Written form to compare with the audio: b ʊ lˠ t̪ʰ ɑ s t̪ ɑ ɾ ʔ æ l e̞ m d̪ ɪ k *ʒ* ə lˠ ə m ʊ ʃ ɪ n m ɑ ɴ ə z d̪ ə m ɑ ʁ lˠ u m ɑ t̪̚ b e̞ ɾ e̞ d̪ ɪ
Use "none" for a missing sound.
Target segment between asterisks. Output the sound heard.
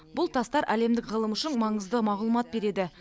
ʁ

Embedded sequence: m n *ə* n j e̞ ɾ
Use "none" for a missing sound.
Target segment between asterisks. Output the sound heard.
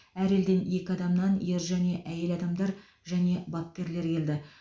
ɑ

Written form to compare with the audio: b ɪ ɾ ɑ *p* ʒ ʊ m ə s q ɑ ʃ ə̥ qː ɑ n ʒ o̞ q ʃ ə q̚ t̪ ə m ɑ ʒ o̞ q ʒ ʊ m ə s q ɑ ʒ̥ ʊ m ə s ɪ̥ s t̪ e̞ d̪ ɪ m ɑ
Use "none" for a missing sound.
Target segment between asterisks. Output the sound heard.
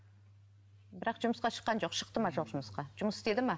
q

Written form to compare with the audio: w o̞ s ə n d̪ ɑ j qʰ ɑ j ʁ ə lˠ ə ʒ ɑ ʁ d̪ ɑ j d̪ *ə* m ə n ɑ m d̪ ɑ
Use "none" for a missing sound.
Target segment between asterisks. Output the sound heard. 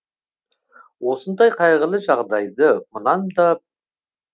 ə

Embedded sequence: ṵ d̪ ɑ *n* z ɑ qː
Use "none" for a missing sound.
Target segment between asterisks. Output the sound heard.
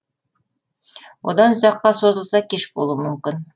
n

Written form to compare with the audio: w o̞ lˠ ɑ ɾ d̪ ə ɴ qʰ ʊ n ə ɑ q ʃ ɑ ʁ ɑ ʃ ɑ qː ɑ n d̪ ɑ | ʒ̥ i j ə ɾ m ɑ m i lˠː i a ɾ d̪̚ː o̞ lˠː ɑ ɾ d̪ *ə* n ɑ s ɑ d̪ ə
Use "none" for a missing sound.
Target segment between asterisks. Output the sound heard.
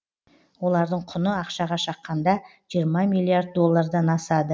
ɑ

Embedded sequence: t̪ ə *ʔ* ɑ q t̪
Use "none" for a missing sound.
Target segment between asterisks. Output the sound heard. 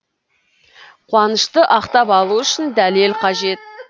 ʔ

